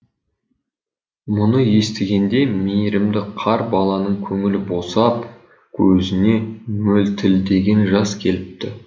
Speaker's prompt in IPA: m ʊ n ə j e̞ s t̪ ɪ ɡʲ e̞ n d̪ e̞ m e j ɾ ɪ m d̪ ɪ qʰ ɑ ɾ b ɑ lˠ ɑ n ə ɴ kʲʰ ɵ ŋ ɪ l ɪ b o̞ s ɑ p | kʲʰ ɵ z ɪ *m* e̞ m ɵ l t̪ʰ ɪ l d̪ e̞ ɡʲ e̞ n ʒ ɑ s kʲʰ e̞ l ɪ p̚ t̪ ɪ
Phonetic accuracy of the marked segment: incorrect: n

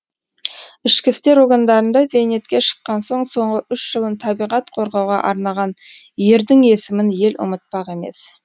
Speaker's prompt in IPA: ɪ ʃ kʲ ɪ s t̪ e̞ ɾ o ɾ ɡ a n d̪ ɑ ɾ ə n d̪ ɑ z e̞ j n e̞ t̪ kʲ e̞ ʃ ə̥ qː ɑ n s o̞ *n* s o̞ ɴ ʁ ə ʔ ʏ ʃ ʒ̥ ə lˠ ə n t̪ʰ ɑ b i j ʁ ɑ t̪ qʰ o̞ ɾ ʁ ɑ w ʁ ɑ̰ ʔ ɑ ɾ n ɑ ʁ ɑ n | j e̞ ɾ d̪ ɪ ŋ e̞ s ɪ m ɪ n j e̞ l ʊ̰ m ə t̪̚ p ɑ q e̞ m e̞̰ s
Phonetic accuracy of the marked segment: incorrect: ɴ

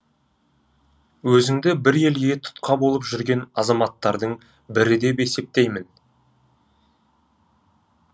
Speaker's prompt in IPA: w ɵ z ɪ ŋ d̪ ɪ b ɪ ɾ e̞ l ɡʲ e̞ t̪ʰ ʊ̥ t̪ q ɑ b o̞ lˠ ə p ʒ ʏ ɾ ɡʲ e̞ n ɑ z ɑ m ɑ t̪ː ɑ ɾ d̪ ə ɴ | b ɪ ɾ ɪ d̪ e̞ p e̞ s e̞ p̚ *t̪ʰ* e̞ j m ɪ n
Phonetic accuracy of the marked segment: incorrect: t̪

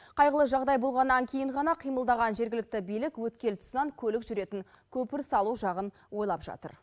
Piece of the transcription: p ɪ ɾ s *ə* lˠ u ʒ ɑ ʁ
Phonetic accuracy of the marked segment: incorrect: ɑ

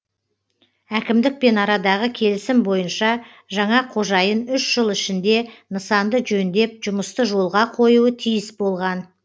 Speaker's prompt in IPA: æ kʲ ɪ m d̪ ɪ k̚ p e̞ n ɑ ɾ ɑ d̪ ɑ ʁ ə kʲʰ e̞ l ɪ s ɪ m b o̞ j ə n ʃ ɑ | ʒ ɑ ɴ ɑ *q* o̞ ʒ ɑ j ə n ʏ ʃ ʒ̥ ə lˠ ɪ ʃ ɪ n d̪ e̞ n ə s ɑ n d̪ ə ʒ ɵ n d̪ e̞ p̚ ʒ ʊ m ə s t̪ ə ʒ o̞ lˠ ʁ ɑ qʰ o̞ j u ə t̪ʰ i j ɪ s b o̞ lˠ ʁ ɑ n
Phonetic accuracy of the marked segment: incorrect: qʰ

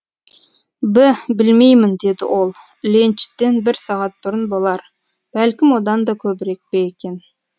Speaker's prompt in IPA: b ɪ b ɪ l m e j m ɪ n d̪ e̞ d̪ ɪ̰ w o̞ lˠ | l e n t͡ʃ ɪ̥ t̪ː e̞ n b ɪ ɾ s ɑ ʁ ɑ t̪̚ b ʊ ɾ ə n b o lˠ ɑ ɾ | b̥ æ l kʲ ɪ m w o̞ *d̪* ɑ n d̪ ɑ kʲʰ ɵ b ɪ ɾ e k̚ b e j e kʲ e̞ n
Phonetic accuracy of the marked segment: correct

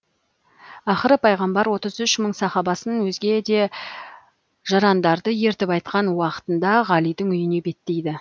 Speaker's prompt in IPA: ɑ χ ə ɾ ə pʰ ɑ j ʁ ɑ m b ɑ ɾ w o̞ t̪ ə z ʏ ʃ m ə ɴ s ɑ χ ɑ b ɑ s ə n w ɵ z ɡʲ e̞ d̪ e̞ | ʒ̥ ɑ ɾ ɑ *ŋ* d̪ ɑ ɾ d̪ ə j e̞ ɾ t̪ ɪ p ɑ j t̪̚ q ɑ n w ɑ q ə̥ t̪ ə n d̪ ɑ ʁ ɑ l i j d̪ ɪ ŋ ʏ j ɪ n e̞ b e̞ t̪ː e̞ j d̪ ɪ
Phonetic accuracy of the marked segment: incorrect: n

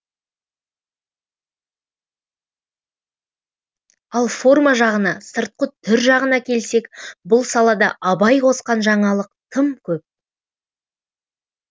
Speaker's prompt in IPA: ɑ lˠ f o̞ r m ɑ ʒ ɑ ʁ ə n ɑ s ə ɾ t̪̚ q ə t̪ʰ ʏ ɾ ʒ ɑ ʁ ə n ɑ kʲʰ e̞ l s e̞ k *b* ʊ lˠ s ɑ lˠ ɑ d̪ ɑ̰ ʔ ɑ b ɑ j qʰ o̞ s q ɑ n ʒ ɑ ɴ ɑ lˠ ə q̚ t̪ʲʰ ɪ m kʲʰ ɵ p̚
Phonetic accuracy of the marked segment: correct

